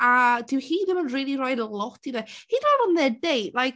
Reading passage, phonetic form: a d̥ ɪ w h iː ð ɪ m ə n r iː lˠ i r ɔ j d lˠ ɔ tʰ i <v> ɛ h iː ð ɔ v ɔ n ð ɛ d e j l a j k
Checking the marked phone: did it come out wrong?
yes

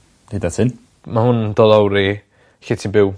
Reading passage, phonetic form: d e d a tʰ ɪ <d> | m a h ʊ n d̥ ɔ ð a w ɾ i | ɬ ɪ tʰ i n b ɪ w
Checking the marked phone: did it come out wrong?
yes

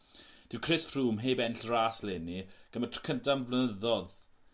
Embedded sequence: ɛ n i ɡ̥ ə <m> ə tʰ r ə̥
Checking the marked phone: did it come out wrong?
no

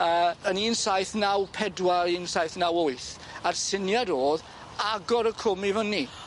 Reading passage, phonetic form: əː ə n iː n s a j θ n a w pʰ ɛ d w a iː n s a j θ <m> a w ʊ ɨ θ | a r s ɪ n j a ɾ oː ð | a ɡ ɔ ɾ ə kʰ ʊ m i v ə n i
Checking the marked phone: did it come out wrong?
yes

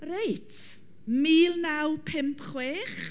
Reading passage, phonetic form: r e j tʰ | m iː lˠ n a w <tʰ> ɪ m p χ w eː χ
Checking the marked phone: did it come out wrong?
yes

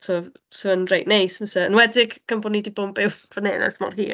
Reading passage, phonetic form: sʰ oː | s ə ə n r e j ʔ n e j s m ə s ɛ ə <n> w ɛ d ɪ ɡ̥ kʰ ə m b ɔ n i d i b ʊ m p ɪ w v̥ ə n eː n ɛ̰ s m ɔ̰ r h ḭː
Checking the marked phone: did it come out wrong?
no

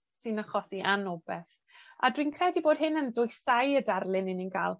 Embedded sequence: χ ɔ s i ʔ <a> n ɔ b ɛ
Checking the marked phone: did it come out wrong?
no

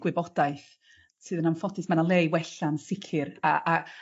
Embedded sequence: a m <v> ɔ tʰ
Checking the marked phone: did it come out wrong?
yes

